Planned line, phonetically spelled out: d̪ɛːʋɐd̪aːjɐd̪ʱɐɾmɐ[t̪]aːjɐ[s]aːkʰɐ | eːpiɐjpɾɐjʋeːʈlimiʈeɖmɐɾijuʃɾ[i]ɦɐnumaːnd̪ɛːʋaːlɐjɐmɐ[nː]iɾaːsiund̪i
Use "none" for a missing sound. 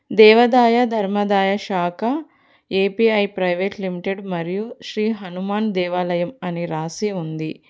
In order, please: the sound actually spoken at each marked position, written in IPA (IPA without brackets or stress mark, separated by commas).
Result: d̪, ʃ, iː, n